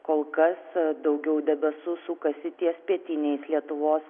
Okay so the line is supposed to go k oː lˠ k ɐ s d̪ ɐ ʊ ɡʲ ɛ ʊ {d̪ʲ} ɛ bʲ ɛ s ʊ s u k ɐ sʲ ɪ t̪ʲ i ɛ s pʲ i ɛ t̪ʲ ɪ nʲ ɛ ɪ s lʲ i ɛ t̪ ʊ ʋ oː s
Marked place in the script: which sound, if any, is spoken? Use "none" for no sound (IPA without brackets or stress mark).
d̪ʲ